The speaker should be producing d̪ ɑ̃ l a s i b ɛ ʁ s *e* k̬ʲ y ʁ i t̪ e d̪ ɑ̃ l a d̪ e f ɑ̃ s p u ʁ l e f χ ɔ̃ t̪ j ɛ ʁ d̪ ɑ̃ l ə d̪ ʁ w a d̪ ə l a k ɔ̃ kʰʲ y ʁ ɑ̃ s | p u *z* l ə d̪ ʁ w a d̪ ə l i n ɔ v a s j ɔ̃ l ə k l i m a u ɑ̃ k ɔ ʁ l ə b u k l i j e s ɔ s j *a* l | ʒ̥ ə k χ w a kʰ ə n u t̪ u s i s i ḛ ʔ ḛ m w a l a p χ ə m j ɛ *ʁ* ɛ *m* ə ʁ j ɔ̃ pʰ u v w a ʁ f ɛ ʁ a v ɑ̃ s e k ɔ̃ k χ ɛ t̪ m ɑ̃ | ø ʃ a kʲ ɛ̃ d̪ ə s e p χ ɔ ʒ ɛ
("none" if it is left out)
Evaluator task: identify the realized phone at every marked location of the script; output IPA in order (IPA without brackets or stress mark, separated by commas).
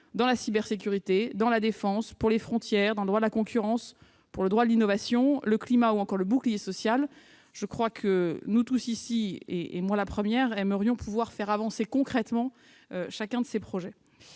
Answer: e, ʁ, a, ʁ, m